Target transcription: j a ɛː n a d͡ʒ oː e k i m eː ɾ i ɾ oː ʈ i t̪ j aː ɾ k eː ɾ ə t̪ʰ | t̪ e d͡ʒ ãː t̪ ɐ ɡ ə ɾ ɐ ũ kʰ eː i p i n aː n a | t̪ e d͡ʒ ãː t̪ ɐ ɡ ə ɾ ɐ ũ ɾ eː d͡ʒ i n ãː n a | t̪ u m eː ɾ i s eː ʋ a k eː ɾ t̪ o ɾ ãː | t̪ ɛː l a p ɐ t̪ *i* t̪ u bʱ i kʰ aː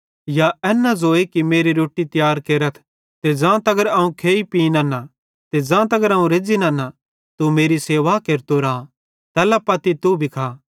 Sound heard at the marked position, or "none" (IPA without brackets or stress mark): i